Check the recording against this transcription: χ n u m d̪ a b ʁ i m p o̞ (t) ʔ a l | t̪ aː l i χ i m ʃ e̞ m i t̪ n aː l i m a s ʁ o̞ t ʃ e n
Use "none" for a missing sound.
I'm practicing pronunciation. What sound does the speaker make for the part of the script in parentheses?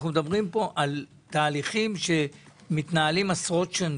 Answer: none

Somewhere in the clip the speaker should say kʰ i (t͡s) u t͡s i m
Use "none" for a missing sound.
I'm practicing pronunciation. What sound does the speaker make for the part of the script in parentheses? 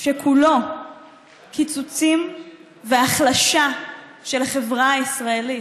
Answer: t͡s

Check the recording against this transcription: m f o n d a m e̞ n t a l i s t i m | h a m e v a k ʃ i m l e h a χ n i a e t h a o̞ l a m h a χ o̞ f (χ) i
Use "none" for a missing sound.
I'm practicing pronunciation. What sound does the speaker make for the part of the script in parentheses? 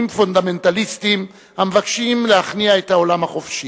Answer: ʃ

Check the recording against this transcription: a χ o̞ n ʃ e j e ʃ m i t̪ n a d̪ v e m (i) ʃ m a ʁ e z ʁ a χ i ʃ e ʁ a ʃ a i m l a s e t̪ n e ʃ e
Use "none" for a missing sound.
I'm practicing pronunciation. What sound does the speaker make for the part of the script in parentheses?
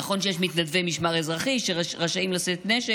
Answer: i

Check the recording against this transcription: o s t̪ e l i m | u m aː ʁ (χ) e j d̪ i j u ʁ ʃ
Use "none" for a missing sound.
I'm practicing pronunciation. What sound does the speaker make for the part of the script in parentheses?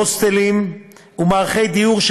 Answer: χ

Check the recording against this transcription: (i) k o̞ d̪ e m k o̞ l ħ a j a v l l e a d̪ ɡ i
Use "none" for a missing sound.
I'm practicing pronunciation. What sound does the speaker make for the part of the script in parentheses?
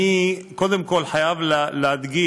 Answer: i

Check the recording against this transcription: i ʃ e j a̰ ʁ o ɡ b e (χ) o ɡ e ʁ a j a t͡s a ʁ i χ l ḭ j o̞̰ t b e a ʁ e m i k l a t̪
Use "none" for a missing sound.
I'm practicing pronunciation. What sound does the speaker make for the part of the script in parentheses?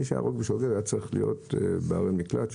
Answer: ʃ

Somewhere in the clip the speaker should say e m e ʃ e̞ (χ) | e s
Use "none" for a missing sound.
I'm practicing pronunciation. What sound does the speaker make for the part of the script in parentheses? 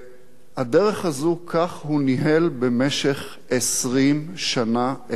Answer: χ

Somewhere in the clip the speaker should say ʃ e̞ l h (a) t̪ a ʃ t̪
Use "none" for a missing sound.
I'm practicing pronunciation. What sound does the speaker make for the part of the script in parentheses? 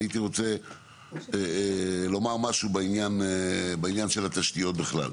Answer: a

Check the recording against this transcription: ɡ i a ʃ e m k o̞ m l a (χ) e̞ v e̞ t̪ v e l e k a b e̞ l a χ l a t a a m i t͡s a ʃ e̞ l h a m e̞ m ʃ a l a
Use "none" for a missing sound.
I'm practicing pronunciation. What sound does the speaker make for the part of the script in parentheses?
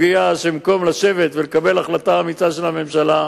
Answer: ʃ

